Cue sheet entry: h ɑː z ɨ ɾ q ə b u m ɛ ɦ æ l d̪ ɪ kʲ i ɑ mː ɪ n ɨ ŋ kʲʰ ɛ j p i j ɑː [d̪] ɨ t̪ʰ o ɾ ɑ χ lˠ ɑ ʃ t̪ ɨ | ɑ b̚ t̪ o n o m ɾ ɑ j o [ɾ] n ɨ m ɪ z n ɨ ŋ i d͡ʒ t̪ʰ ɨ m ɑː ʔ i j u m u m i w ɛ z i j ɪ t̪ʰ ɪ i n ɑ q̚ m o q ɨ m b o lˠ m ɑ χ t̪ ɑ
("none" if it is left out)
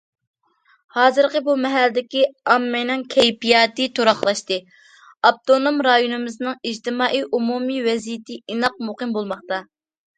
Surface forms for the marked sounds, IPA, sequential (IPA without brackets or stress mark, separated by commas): t̪, none